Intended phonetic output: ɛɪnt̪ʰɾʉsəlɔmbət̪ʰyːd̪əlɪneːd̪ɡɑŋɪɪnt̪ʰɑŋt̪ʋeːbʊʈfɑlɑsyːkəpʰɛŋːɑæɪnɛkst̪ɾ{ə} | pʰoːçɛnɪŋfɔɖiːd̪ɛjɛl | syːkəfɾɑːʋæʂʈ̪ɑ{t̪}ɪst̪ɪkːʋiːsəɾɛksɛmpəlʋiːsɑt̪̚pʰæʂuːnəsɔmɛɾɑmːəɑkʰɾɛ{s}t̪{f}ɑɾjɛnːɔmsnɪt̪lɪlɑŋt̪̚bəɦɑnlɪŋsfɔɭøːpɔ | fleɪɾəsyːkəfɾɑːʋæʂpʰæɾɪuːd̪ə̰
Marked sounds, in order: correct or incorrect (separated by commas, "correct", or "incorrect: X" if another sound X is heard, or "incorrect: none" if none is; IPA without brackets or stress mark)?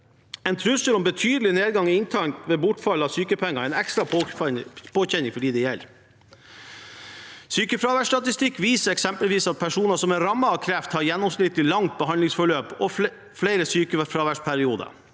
incorrect: ɑ, correct, incorrect: f, incorrect: h